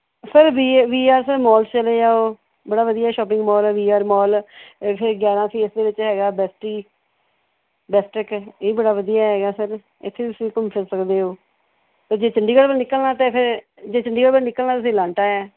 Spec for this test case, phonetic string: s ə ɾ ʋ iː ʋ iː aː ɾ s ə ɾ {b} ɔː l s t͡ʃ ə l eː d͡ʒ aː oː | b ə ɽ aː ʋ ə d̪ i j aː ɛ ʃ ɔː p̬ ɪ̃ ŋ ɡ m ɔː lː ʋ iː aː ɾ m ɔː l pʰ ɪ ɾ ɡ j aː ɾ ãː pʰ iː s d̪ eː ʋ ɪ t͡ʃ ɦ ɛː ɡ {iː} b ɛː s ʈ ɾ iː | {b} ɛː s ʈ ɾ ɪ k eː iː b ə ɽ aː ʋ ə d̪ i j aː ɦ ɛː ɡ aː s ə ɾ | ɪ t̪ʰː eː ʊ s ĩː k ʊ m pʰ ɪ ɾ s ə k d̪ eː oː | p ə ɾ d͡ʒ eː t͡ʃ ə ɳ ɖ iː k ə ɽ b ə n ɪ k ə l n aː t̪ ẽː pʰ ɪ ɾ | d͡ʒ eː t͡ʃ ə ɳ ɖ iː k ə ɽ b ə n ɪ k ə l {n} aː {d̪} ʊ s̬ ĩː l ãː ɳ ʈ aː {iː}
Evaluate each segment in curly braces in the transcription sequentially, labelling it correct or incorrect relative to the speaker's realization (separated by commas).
incorrect, incorrect, correct, correct, incorrect, incorrect